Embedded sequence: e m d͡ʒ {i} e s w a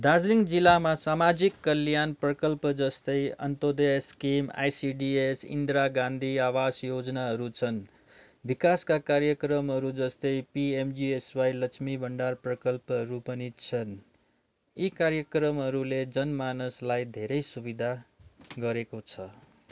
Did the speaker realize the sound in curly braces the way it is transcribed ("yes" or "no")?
yes